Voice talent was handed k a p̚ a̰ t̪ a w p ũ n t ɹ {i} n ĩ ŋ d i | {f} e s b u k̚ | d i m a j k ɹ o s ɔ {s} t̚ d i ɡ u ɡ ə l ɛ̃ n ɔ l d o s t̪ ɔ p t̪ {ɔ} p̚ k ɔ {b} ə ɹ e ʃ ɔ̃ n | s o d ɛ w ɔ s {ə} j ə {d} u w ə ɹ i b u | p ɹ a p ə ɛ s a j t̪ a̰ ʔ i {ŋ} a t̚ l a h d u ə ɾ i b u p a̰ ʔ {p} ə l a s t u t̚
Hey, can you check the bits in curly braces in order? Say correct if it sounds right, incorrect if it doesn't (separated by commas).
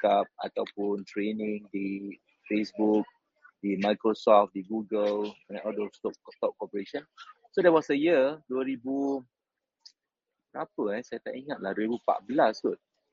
incorrect, correct, incorrect, correct, incorrect, correct, correct, correct, incorrect